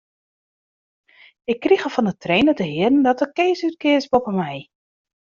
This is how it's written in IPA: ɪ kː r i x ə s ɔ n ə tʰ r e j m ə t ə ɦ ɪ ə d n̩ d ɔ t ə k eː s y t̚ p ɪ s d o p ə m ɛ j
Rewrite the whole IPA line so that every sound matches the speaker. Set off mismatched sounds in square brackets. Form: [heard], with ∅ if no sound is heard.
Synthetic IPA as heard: ɪ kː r i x ə [f] ɔ n ə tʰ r e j [n] ə t ə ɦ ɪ ə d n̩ d ɔ t ə k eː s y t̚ [k] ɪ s [b] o p ə m ɛ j